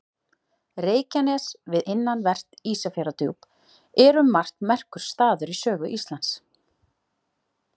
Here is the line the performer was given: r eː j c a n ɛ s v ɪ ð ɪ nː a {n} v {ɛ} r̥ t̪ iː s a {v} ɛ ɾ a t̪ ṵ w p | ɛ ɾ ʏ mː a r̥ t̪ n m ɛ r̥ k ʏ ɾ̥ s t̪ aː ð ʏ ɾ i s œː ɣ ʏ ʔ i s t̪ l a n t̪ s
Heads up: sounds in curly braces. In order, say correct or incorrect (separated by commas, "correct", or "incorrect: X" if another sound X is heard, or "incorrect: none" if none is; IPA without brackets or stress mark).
correct, correct, incorrect: f